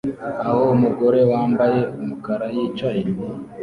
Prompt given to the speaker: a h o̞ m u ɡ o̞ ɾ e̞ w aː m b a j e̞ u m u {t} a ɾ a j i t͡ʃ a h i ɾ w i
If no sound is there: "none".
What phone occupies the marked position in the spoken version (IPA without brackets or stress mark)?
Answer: k